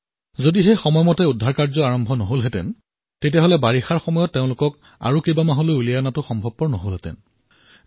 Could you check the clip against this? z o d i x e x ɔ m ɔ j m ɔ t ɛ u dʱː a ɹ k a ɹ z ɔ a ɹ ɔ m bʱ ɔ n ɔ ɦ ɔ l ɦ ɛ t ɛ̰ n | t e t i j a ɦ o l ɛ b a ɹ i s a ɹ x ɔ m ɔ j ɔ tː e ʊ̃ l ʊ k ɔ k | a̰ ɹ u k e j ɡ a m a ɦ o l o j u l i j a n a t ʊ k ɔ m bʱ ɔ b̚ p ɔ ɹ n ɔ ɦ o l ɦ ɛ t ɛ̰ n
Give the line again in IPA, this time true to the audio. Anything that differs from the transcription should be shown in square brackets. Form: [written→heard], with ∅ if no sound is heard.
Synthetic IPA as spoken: z o d i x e x ɔ m ɔ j m ɔ t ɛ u dʱː a ɹ k a ɹ z ɔ a ɹ ɔ m bʱ ɔ n ɔ ɦ [ɔ→o] l ɦ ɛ t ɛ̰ n | t e t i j a ɦ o l ɛ b a ɹ i [s→x] a ɹ x ɔ m ɔ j ɔ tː e ʊ̃ l ʊ k ɔ k | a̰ ɹ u k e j [ɡ→b] a m a ɦ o l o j u l i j a n a t ʊ [k→x] ɔ m bʱ ɔ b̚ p ɔ ɹ n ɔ ɦ o l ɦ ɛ t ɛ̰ n